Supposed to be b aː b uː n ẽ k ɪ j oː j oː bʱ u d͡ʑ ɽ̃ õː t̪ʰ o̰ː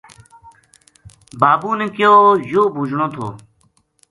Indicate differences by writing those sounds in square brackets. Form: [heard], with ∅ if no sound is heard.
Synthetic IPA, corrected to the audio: b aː b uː n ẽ k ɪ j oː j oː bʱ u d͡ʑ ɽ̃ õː t̪ʰ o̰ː